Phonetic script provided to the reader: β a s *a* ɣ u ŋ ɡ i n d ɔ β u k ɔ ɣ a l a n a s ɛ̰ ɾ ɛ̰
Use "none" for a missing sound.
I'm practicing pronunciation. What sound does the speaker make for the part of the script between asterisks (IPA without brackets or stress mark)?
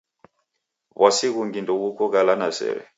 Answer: i